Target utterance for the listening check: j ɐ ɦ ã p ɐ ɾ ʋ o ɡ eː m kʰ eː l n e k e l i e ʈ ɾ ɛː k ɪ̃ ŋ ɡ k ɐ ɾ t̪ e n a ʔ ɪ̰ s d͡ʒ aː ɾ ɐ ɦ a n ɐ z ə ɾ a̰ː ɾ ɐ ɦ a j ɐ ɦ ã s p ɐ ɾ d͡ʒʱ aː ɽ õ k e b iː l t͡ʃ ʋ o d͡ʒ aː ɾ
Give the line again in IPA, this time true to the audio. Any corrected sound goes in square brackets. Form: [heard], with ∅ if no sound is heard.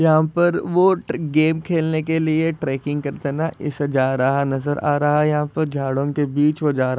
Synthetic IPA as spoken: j ɐ ɦ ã p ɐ ɾ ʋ o ɡ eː m kʰ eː l n e k e l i e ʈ ɾ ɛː k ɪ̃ ŋ ɡ k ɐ ɾ t̪ e n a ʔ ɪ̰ s d͡ʒ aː ɾ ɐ ɦ a n ɐ z ə ɾ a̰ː ɾ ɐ ɦ a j ɐ ɦ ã [∅] p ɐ ɾ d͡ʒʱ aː ɽ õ k e b iː [∅] t͡ʃ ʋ o d͡ʒ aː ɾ